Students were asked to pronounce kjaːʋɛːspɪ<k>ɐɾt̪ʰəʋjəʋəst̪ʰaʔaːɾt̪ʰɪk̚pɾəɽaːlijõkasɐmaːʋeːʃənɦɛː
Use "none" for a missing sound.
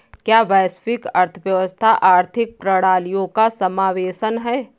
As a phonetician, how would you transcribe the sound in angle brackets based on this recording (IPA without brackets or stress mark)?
k